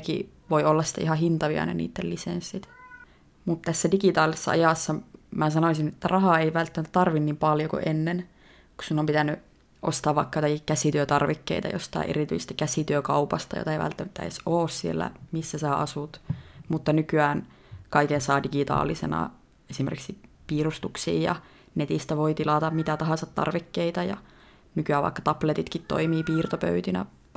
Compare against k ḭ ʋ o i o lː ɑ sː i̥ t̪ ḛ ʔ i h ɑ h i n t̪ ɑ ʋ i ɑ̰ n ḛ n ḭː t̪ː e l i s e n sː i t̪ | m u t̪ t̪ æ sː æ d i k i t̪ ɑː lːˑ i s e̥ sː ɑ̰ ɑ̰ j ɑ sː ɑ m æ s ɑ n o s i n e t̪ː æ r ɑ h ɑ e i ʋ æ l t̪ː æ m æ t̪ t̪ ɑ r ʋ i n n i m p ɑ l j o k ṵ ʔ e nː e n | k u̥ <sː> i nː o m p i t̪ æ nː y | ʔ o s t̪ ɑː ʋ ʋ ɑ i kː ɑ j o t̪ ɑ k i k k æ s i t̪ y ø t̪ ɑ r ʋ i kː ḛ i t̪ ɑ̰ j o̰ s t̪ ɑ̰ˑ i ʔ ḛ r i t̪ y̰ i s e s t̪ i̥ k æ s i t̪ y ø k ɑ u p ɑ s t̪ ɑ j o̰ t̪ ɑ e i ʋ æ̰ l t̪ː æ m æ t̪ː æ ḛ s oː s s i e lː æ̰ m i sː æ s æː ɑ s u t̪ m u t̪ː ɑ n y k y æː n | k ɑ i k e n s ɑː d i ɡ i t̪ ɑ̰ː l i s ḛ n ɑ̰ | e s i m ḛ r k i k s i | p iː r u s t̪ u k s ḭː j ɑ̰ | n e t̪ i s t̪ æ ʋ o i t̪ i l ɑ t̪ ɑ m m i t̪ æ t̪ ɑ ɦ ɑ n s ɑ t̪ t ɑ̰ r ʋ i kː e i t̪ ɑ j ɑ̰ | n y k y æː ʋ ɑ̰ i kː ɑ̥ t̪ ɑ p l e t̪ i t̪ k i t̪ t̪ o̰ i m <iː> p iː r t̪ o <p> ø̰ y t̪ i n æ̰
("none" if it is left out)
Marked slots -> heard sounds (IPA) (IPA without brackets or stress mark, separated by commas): s, iː, p